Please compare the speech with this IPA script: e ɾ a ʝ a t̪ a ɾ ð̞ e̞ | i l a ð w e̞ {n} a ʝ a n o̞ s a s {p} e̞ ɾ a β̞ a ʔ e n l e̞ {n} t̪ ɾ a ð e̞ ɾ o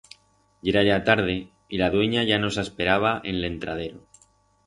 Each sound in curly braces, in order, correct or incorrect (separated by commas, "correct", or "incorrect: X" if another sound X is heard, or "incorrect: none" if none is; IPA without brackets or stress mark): incorrect: ɲ, correct, correct